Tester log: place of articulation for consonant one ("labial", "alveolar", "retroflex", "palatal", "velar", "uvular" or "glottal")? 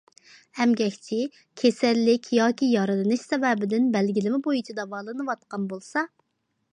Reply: glottal